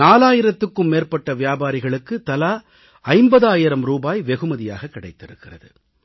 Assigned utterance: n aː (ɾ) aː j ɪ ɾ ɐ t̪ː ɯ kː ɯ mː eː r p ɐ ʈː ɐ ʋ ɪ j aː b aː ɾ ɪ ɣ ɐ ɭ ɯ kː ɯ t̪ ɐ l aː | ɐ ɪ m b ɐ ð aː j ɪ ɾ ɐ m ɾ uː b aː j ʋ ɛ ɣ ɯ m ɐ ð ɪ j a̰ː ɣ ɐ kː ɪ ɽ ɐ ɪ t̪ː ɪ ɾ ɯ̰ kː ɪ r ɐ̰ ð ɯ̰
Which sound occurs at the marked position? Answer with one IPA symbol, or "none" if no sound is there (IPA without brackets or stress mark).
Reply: l